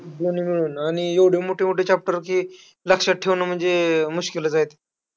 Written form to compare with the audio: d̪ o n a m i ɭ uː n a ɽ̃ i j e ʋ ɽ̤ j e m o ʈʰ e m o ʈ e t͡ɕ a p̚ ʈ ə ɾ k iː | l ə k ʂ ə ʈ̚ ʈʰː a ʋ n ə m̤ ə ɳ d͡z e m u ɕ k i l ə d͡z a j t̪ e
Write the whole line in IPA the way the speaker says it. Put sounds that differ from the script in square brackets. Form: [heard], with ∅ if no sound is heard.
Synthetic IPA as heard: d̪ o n [i] m i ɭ uː n a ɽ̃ i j e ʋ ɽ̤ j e m o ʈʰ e m o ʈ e t͡ɕ a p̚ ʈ ə ɾ k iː | l ə k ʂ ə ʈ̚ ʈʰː [e] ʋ n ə m̤ ə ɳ d͡z e m u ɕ k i l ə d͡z a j t̪ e